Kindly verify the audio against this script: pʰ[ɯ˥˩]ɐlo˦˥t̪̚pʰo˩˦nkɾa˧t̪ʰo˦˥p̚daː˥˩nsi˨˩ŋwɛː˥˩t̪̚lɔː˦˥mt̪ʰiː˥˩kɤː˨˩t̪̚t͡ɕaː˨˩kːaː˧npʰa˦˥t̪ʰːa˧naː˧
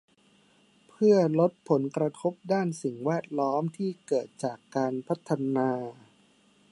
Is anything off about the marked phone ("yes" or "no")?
no